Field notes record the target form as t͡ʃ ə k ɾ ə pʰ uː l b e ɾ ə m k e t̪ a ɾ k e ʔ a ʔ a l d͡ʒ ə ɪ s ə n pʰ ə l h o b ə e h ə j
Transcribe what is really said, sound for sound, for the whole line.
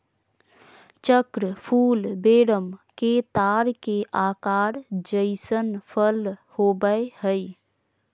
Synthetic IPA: t͡ʃ ə k ɾ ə pʰ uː l b e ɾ ə m k e t̪ a ɾ k e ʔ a k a ɾ d͡ʒ ə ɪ s ə n pʰ ə l h o b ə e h ə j